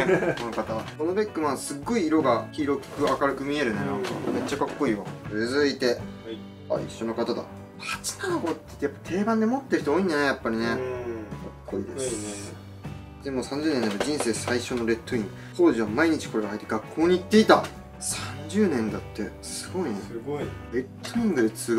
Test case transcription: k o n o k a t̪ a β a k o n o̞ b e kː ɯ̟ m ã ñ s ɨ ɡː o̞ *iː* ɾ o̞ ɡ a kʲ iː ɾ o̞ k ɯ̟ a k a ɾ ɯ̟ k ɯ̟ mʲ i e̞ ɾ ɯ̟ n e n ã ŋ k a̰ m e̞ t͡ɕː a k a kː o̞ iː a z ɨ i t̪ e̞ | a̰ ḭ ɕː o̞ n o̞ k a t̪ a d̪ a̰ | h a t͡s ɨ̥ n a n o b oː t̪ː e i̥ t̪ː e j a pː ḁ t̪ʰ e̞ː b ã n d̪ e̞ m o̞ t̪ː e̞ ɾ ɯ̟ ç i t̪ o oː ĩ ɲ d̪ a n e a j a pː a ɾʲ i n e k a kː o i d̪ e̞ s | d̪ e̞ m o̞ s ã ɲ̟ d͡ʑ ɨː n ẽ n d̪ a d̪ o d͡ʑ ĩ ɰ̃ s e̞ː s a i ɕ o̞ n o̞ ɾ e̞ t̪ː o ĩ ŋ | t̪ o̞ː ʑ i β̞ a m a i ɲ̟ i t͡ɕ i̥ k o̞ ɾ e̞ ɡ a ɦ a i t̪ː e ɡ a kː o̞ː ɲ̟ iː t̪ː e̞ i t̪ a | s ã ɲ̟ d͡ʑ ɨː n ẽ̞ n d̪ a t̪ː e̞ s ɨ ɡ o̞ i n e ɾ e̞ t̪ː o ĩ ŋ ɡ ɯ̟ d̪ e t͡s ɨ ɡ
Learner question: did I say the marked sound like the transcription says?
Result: yes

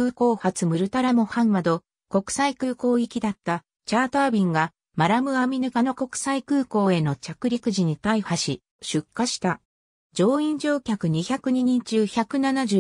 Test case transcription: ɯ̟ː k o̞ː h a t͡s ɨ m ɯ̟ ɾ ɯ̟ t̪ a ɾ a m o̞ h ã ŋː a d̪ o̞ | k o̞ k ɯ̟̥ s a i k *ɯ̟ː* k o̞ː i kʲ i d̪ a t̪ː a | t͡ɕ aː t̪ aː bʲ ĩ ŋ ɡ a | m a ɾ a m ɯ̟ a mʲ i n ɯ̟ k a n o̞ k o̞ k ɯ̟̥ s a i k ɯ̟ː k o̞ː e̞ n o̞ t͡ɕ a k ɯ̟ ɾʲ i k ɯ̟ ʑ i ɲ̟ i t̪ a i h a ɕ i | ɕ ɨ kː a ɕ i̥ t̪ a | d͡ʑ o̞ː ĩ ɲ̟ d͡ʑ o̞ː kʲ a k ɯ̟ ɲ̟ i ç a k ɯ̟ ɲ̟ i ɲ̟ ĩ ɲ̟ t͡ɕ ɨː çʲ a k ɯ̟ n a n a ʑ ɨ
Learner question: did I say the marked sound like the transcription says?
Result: yes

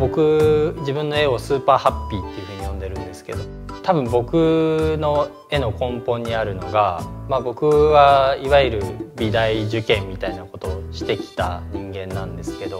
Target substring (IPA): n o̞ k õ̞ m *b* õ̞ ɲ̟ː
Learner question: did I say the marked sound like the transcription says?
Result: no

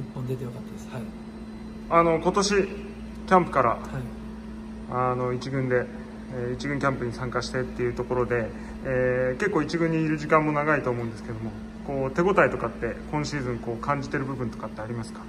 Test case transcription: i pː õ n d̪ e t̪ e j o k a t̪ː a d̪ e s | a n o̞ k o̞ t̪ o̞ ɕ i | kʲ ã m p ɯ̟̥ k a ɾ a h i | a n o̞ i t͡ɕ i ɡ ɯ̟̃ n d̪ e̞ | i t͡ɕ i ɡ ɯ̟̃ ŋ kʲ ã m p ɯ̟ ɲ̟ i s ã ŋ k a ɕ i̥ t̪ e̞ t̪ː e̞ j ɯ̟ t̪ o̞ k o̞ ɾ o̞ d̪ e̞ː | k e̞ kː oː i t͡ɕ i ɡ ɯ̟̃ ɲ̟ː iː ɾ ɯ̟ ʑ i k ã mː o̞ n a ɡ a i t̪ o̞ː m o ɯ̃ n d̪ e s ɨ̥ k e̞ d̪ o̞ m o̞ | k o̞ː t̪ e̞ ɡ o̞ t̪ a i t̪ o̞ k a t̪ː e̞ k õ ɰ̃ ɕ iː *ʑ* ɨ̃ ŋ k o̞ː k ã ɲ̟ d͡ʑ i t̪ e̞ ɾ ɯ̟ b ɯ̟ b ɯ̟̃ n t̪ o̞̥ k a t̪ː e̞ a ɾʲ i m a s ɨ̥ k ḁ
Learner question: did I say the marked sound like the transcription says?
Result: no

